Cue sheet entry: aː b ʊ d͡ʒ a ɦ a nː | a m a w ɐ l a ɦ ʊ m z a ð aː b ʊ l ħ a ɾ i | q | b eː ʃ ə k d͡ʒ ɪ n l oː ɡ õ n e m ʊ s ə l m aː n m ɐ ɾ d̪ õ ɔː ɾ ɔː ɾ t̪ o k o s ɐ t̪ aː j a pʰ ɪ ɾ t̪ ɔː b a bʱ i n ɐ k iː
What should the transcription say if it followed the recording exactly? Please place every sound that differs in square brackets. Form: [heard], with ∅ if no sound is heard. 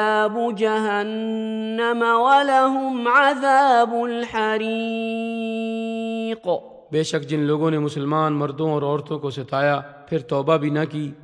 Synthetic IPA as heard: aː b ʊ d͡ʒ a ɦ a nː | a m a w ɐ l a ɦ ʊ m [ʕ] a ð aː b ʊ l ħ a ɾ i | q | b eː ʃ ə k d͡ʒ ɪ n l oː ɡ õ n e m ʊ s ə l m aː n m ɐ ɾ d̪ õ ɔː ɾ ɔː ɾ t̪ [õ] k o s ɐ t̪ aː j a pʰ ɪ ɾ t̪ ɔː b a bʱ i n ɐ k iː